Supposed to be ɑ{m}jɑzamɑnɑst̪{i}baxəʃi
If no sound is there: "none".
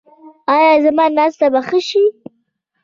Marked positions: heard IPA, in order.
none, a

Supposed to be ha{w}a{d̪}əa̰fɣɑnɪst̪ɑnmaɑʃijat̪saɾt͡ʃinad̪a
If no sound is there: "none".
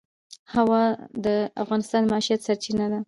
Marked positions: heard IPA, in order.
w, d̪

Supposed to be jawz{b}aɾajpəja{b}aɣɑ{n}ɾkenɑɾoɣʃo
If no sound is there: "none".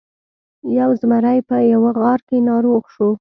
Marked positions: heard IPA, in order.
m, w, none

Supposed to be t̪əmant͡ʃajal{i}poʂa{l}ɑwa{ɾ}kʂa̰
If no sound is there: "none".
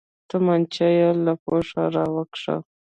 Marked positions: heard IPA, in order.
a, ɾ, none

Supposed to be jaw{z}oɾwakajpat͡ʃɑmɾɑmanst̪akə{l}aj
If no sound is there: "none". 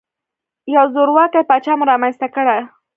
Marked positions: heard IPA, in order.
z, ɽ

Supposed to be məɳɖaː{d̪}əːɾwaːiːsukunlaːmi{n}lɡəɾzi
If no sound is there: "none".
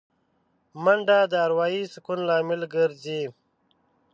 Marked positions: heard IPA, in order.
d̪, none

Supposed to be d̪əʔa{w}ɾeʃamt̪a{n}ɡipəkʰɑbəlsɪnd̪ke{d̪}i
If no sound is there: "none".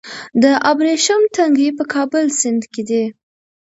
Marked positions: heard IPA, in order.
b, ŋ, d̪

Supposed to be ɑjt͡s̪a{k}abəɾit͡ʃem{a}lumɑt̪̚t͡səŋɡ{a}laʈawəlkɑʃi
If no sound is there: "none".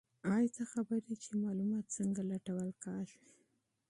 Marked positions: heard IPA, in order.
x, ɑ, a

